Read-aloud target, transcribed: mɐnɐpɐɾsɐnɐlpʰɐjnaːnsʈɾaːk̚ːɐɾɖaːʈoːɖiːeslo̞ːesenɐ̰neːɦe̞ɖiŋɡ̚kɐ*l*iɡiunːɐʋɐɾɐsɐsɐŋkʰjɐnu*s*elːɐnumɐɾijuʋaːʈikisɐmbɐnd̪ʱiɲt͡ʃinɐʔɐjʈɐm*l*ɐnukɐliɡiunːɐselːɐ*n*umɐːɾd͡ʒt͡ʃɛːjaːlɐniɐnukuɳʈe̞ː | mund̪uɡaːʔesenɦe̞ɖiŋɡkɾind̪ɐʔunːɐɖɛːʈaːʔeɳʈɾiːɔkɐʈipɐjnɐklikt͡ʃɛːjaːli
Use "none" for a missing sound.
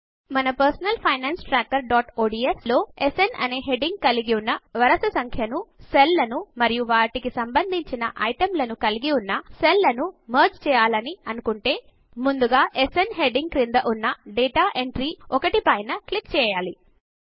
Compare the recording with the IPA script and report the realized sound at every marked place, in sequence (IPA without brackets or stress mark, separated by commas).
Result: l, s, l, n